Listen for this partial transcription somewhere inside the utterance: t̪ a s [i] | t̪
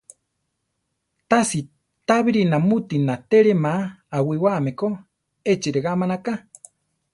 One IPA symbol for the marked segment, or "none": i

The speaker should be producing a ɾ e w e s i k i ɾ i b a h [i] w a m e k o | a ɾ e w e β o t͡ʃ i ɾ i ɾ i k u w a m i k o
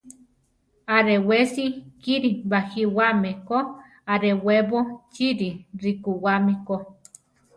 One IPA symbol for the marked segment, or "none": i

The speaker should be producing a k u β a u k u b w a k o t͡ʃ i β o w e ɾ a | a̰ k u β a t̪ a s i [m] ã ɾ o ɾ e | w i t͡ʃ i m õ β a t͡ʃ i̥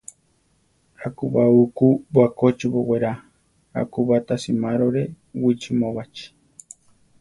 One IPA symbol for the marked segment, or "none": m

